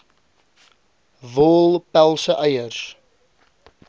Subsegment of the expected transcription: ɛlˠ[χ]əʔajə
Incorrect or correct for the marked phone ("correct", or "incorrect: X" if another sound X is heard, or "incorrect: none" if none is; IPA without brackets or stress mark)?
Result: incorrect: s